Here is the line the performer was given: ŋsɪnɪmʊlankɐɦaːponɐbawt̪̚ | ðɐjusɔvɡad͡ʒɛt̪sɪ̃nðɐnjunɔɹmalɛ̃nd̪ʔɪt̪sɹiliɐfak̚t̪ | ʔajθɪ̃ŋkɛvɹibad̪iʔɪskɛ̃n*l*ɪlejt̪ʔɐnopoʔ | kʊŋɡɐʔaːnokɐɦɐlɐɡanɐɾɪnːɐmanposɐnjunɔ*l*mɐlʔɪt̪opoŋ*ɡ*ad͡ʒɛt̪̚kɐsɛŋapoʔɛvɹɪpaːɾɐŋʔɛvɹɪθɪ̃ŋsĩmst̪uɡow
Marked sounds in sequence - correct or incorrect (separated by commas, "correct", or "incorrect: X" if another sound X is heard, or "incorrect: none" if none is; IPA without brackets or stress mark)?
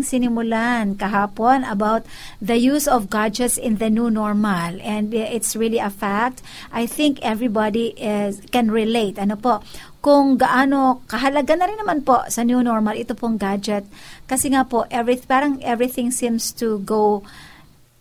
incorrect: ɹ, incorrect: ɹ, correct